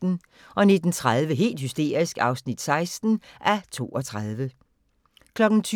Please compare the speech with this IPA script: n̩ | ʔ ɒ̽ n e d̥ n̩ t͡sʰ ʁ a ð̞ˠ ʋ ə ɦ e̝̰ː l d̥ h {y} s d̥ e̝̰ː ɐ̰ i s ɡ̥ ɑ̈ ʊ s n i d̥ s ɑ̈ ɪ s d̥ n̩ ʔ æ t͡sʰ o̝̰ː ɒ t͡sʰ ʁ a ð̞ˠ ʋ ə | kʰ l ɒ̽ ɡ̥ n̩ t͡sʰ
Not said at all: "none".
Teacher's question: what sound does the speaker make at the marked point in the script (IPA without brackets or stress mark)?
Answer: y